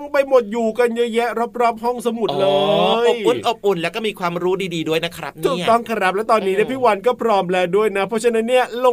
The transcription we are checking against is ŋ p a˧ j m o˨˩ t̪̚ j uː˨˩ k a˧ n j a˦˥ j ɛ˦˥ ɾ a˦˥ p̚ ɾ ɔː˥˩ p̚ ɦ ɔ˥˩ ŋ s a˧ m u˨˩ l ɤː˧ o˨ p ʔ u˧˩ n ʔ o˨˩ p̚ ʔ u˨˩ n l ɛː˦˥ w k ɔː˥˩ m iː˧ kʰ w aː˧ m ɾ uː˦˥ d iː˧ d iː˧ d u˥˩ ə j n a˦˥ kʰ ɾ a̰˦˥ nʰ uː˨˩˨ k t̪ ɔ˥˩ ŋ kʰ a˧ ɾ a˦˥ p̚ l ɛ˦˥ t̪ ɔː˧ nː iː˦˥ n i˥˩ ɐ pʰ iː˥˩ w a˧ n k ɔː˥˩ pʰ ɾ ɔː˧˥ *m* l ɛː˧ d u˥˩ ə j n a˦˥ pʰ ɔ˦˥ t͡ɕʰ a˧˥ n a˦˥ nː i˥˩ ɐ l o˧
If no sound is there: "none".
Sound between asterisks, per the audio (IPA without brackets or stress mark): m